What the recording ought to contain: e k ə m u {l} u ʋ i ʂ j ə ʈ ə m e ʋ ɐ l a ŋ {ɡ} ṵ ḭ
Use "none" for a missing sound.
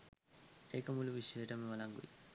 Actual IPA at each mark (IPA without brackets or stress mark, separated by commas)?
l, ɡ